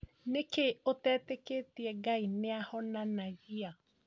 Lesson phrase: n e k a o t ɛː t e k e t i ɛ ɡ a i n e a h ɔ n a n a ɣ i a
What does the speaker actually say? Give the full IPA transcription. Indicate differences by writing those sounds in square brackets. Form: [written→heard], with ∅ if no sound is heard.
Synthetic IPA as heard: n e k [a→e] o t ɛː t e k e t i ɛ ɡ a i n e a h ɔ n a n a ɣ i a